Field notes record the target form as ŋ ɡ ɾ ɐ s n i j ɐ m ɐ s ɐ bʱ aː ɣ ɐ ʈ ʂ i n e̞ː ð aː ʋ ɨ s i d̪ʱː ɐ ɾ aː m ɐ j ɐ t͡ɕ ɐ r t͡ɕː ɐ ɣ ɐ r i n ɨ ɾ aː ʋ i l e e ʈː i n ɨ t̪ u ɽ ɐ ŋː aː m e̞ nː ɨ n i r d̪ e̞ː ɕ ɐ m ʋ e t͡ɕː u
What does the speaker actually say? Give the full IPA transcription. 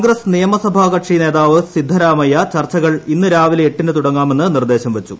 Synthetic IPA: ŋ ɡ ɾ ɐ s n i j ɐ m ɐ s ɐ bʱ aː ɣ ɐ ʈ ʂ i n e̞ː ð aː ʋ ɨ s i d̪ʱː ɐ ɾ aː m ɐ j ɐ t͡ɕ ɐ r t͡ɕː ɐ ɣ ɐ ɭ i nː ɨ ɾ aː ʋ i l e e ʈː i n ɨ t̪ u ɽ ɐ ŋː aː m e̞ nː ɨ n i r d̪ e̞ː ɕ ɐ m ʋ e t͡ɕː u